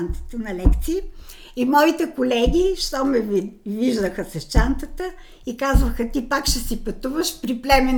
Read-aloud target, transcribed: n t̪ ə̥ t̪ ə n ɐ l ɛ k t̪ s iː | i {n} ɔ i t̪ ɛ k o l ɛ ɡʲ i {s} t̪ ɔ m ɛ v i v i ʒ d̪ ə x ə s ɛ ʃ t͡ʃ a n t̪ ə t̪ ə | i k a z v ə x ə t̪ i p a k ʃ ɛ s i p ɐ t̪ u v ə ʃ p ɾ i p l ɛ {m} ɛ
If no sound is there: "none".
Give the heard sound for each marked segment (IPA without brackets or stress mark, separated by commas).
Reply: m, ʃ, m